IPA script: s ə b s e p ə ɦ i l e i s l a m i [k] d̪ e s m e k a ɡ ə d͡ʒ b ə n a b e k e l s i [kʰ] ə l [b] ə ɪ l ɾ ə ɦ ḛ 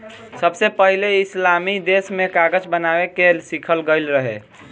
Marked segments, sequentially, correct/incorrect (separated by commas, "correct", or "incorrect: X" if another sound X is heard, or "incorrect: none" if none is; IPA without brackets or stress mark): incorrect: none, correct, incorrect: ɡ